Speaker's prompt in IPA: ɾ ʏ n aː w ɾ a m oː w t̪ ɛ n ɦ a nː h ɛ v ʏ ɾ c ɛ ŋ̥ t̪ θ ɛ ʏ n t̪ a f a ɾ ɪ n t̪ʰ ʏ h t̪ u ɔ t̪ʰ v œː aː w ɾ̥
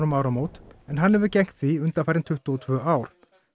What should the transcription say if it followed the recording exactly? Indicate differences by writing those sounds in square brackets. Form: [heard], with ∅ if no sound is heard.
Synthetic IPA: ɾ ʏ [m] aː w ɾ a m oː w t̪ ɛ n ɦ a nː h ɛ v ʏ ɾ c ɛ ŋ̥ t̪ θ [i] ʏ n t̪ a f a ɾ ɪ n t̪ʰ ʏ h t̪ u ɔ t̪ʰ v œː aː w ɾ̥